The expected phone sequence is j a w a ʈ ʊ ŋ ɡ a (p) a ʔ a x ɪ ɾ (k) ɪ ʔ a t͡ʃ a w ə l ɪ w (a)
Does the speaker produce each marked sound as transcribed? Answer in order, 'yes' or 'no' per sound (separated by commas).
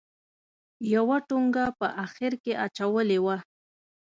yes, yes, yes